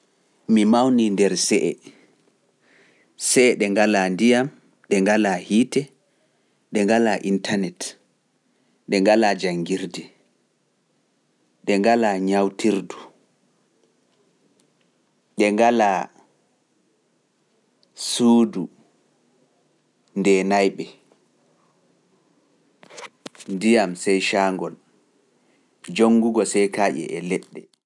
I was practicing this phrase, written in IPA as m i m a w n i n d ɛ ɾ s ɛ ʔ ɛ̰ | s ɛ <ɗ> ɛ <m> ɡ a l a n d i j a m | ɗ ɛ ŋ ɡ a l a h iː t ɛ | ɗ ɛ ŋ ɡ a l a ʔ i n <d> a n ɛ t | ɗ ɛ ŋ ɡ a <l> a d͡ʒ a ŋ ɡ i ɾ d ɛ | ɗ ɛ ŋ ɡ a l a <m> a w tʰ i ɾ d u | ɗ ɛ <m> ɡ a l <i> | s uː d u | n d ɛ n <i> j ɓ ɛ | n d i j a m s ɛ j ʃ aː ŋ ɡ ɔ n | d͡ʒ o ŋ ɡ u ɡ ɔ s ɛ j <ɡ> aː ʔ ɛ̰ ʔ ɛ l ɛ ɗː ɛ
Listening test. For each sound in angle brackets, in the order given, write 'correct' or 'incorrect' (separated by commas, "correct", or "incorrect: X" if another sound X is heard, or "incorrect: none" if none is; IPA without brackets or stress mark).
correct, incorrect: ŋ, incorrect: t, correct, incorrect: ɲ, incorrect: ŋ, incorrect: a, incorrect: a, incorrect: k